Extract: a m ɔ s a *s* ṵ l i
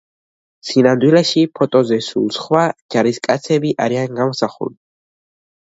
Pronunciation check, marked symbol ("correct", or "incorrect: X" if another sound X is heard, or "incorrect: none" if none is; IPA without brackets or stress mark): incorrect: χ